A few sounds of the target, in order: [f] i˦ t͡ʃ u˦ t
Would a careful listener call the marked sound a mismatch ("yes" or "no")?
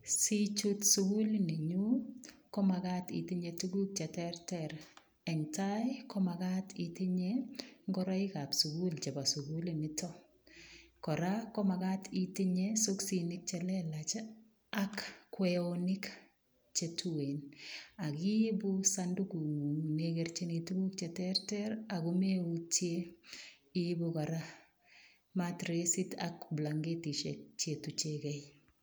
yes